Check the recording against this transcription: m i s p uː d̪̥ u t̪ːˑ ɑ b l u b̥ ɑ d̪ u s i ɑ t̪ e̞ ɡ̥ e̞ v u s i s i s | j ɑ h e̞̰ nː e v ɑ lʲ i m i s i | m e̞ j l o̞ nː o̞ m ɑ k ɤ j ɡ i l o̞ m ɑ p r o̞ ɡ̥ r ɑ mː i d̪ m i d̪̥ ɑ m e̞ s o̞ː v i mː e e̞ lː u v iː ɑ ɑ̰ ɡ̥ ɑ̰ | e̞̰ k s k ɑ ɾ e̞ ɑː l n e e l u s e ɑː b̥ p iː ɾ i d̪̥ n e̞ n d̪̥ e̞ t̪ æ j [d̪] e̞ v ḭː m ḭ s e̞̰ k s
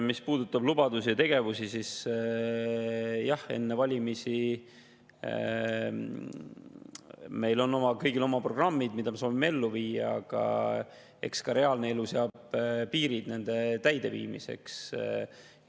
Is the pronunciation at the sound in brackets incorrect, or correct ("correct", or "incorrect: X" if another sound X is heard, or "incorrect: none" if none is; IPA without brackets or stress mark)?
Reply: correct